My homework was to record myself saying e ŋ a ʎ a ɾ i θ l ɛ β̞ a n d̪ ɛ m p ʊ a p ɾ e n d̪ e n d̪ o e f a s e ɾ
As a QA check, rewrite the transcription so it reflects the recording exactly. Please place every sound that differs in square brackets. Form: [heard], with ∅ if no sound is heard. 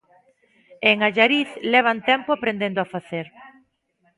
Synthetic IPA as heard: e ŋ a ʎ a ɾ i θ l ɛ β̞ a n [t̪] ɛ m p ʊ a p ɾ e n d̪ e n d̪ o [a] f a [θ] e ɾ